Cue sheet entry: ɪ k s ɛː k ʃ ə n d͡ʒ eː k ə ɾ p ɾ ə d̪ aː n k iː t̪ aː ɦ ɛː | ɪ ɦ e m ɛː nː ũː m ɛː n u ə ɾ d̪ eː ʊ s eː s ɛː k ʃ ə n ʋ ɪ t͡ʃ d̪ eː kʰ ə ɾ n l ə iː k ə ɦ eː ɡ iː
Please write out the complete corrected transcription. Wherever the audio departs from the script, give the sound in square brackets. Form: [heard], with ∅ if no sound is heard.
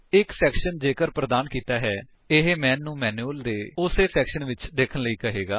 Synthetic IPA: ɪ k s ɛː k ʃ ə n d͡ʒ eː k ə ɾ p ɾ ə d̪ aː n k iː t̪ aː ɦ ɛː | ɪ ɦ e m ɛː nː ũː m ɛː n u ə [l] d̪ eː ʊ s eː s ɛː k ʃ ə n ʋ ɪ t͡ʃ d̪ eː kʰ ə [∅] n l ə iː k ə ɦ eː ɡ [aː]

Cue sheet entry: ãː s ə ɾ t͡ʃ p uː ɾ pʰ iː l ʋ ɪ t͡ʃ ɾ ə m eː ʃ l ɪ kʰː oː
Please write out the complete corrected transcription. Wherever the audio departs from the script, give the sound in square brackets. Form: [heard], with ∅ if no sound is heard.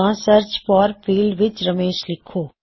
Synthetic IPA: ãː s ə ɾ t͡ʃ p [ɔː] ɾ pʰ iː l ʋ ɪ t͡ʃ ɾ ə m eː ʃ l ɪ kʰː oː

